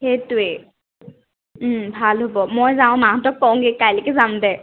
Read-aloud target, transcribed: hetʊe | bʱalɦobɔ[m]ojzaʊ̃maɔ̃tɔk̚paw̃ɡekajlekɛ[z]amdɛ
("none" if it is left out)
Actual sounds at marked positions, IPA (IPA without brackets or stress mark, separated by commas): m, z